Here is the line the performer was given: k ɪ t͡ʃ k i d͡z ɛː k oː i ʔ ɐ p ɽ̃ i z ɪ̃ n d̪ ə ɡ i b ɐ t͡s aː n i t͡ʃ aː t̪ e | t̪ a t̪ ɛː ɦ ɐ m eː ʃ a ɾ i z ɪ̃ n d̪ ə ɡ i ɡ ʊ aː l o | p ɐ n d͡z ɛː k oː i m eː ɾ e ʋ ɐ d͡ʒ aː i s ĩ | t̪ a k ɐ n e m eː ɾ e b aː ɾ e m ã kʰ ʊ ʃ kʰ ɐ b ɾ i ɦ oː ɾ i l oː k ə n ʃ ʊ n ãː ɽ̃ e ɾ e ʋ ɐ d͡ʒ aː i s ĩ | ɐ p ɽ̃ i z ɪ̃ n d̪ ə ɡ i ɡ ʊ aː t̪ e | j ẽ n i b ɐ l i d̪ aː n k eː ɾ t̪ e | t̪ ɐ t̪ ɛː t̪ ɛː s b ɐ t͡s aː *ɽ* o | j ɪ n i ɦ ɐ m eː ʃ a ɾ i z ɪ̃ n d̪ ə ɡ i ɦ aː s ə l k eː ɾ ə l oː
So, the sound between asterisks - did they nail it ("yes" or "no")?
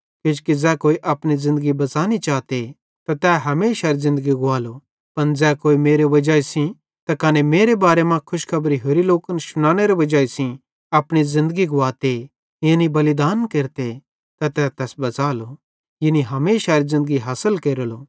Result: no